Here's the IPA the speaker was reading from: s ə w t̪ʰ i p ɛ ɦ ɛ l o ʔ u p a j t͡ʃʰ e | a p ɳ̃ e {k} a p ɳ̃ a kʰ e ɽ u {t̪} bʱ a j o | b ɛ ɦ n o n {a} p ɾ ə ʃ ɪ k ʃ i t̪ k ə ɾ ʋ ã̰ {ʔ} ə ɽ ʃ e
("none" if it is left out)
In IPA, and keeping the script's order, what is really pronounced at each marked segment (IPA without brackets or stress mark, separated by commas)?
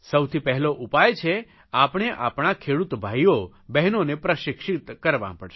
ʔ, t̪, e, p